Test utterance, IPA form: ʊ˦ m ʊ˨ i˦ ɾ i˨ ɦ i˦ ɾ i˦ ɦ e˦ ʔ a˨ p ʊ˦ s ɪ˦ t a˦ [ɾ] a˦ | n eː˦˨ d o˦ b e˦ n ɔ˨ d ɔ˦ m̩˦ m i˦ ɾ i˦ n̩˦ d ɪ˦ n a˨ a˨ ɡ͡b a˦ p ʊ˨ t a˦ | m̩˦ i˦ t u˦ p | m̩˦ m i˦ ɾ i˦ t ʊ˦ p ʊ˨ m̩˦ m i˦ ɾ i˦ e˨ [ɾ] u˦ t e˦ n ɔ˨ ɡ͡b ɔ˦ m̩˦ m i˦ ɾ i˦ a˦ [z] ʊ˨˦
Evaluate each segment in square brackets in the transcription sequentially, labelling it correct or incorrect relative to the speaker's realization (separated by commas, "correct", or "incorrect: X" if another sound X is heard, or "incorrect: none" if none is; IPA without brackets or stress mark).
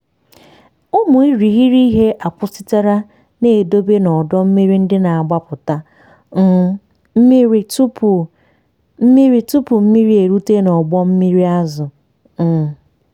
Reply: correct, correct, correct